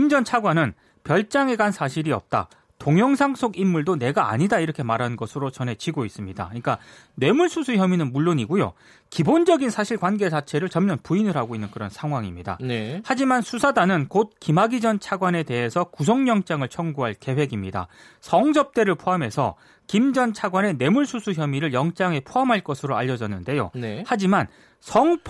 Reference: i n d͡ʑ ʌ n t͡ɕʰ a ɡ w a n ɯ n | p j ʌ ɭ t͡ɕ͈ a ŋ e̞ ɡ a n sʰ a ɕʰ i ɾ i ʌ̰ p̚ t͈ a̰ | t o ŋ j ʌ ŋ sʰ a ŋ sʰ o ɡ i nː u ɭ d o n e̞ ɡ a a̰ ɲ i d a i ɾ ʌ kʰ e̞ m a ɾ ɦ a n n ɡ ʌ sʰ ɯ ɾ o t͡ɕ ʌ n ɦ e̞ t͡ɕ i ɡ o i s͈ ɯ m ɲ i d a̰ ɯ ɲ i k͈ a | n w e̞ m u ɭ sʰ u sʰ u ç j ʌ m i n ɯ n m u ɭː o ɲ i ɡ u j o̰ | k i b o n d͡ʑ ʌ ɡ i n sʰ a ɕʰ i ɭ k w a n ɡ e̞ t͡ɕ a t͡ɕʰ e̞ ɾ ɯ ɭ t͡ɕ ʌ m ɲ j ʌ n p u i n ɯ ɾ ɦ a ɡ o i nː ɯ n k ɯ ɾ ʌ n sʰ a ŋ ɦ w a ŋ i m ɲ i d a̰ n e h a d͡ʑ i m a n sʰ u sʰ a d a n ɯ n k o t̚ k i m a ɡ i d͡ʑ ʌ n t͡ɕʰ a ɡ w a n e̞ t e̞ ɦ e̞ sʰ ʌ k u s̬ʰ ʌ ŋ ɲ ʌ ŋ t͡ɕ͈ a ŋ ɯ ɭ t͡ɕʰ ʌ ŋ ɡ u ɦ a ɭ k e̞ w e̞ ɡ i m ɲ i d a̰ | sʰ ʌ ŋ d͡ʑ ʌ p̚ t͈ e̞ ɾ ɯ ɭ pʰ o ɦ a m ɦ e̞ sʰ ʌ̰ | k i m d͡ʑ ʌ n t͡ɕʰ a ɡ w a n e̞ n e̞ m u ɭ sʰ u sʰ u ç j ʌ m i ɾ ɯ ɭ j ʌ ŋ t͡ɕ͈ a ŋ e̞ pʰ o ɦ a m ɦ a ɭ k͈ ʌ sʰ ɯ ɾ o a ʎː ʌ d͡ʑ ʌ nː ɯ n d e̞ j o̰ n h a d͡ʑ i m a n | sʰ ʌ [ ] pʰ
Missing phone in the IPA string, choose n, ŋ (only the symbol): ŋ